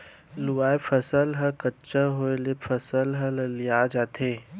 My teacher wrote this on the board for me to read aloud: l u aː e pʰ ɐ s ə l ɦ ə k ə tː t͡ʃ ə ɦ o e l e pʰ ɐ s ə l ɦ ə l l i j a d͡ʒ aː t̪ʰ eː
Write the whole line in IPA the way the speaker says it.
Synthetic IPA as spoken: l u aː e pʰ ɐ s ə l ɦ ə k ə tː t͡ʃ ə ɦ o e l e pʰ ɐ s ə l ɦ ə l l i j a d͡ʒ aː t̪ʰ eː